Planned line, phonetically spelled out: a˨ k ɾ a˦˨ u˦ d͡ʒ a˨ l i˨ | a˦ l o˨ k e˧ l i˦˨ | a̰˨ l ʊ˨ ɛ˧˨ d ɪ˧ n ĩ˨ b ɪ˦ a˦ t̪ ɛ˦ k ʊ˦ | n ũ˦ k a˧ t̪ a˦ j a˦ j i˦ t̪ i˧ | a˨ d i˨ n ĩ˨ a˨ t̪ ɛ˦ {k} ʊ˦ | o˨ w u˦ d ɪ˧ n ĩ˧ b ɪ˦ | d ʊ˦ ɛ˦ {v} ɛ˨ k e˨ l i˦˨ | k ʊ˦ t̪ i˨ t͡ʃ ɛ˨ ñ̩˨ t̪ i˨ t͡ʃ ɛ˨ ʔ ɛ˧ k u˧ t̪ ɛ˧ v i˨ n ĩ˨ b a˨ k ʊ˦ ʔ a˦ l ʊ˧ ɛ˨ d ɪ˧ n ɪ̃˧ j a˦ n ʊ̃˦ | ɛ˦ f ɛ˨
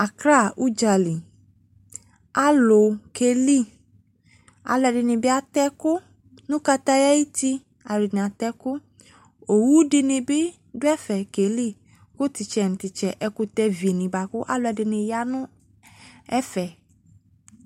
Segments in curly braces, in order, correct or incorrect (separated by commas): correct, incorrect